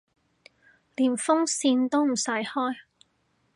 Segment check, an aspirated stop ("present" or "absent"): absent